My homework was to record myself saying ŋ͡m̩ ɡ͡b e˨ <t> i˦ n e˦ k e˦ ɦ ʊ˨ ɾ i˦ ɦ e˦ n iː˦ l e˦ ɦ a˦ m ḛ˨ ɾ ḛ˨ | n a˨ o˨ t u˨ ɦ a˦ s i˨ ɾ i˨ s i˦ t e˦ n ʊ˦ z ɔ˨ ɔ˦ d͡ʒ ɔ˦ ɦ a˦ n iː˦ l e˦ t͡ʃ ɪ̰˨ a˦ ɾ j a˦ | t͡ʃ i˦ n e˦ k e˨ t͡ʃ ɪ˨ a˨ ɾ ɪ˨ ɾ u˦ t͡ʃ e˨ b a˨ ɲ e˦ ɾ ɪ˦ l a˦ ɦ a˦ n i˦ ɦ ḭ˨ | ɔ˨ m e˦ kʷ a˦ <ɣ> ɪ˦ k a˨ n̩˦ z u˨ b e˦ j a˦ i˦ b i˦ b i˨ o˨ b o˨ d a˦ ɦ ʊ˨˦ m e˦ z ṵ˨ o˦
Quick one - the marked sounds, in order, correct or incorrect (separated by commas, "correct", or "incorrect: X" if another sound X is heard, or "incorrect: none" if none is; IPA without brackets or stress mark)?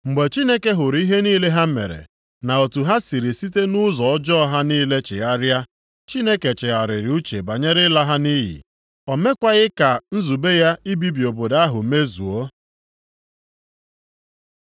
incorrect: t͡ʃ, correct